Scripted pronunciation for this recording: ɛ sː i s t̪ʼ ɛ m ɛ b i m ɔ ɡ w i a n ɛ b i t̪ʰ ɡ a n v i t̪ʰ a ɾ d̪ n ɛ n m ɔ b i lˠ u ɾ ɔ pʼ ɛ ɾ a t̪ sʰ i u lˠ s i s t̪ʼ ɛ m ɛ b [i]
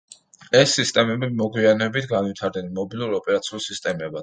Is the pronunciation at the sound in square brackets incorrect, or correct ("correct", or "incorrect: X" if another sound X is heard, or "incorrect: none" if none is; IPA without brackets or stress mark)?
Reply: incorrect: a